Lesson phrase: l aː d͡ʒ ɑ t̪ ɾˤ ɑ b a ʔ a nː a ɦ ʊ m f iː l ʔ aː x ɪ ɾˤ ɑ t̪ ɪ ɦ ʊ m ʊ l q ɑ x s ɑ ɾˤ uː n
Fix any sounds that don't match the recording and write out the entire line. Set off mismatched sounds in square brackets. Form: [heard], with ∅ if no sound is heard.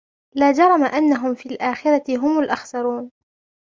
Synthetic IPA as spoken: l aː d͡ʒ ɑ [∅] ɾˤ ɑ [m] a ʔ a nː a ɦ ʊ m f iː l ʔ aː x ɪ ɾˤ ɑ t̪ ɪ ɦ ʊ m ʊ l [ʔ] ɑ x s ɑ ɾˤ uː n